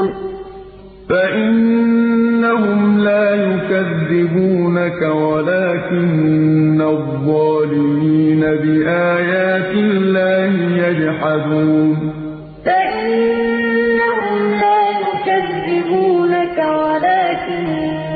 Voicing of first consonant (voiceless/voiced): voiceless